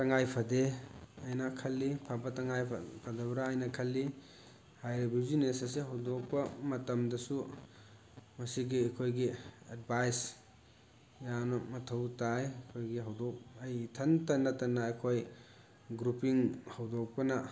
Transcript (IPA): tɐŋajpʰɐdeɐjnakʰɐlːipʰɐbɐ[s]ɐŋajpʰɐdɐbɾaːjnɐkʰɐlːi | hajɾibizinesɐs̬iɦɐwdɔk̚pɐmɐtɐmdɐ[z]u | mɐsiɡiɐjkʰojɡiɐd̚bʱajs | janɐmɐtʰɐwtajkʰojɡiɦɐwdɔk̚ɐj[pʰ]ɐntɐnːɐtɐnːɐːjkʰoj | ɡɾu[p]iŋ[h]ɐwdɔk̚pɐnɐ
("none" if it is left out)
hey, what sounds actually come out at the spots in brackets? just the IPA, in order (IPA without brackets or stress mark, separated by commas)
t, s, tʰ, p, h